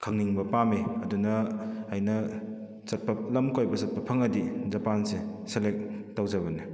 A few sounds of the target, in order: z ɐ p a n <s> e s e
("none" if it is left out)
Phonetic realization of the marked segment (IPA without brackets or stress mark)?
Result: s